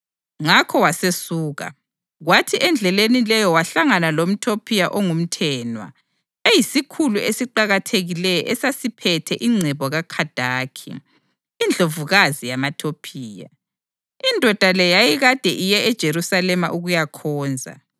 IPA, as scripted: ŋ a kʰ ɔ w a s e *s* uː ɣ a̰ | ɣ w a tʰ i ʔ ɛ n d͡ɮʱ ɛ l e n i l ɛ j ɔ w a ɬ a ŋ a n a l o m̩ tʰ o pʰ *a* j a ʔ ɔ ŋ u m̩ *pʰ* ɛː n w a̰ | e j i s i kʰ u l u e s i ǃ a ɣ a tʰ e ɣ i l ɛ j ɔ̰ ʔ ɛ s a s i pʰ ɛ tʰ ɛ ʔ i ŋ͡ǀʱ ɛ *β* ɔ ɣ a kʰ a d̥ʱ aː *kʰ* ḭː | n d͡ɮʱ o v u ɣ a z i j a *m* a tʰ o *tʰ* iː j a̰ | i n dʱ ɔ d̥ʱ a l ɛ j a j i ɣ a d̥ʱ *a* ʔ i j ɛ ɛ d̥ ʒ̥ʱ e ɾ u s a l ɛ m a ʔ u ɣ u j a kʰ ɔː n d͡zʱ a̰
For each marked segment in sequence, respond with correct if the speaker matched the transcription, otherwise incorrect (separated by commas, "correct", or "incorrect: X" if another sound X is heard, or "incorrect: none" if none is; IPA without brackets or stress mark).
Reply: correct, incorrect: i, incorrect: tʰ, correct, correct, correct, incorrect: pʰ, incorrect: ɛ